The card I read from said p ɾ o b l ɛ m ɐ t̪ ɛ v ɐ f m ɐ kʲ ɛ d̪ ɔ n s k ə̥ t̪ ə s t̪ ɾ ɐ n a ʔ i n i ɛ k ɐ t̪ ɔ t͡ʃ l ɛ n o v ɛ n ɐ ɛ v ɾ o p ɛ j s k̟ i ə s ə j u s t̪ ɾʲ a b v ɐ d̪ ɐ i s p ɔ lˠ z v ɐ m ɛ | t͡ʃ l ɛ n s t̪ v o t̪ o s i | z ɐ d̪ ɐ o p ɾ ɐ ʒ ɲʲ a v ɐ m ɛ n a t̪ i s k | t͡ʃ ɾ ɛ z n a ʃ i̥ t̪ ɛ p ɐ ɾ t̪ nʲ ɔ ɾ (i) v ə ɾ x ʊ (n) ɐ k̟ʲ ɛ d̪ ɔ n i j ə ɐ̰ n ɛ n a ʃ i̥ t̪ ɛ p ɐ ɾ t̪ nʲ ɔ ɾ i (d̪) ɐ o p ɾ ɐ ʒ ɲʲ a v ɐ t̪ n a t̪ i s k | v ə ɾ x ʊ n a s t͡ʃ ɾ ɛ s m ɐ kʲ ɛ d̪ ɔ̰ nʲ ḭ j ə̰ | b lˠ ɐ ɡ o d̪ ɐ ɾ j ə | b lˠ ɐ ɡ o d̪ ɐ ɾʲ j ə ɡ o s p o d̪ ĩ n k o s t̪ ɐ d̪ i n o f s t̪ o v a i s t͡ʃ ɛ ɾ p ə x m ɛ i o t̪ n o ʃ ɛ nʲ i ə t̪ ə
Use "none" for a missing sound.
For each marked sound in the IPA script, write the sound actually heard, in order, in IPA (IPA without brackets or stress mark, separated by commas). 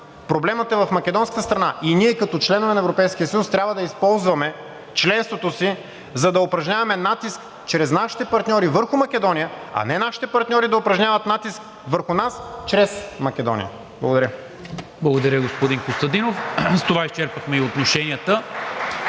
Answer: i, m, d̪